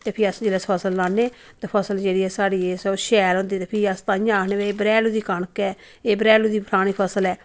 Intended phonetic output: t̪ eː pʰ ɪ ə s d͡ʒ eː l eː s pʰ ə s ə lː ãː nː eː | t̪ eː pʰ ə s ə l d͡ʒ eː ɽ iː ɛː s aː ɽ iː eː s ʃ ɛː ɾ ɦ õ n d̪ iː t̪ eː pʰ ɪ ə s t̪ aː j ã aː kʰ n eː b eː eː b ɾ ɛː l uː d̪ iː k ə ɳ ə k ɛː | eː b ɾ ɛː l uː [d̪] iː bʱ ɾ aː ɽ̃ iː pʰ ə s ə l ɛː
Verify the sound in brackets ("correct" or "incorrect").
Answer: correct